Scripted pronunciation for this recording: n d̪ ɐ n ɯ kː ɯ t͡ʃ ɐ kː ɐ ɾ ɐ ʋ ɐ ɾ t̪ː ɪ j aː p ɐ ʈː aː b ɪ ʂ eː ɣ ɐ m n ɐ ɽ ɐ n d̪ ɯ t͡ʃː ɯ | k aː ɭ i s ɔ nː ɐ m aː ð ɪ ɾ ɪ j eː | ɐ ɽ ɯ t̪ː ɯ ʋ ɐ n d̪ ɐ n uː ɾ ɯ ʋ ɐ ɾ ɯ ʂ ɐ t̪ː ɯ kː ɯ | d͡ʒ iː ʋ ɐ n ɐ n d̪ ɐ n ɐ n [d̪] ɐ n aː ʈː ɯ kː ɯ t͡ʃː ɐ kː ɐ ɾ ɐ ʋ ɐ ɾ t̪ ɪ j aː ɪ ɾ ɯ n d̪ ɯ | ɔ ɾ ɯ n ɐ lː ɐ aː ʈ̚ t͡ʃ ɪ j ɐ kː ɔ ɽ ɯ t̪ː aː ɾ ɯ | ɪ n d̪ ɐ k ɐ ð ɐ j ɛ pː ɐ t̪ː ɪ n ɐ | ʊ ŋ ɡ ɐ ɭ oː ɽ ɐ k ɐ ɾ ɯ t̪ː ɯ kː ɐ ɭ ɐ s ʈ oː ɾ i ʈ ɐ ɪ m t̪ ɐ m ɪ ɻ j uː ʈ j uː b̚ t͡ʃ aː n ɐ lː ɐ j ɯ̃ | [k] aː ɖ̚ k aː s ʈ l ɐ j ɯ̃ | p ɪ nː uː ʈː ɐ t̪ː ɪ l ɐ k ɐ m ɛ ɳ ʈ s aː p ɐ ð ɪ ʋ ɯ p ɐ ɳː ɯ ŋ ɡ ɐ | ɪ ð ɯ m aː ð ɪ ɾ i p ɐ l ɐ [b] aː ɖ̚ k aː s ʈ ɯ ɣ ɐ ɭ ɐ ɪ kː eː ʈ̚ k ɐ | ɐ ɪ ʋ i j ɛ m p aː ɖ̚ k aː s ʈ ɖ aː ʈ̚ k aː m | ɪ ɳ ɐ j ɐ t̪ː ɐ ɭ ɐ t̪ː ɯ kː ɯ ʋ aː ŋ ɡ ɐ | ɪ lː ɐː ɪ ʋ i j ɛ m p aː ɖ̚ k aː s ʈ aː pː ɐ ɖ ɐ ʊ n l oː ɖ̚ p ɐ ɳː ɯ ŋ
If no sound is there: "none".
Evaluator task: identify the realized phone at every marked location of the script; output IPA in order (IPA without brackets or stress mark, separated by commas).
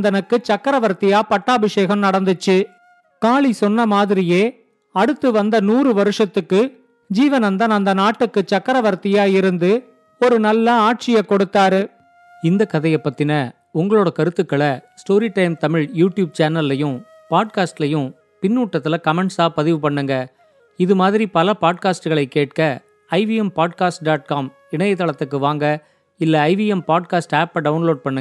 d̪, p, p